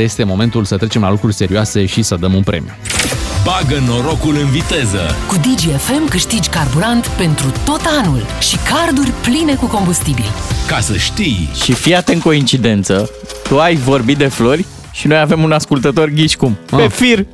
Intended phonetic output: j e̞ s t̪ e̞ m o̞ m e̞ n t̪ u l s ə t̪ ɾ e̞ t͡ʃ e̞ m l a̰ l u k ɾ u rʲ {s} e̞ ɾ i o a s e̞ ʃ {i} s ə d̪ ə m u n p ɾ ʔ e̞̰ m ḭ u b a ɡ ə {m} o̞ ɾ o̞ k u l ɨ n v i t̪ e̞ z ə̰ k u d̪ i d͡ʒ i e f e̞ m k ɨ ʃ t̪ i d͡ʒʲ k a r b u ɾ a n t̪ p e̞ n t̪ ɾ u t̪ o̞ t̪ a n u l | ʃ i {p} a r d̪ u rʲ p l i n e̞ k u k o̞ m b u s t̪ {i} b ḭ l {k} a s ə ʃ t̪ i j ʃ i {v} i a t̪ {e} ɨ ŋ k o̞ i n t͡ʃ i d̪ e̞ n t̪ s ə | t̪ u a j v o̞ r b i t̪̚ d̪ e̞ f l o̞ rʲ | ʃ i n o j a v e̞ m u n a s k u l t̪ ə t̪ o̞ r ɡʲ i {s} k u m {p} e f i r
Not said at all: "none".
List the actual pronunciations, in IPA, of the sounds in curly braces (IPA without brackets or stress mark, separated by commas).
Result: s, i, n, k, i, k, f, e, ʃ, p